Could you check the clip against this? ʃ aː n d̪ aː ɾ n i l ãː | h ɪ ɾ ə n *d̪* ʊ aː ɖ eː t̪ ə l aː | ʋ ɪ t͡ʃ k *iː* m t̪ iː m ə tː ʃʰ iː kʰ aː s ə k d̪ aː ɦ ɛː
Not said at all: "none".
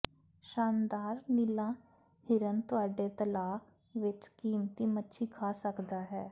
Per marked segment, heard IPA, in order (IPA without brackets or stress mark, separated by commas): t̪, iː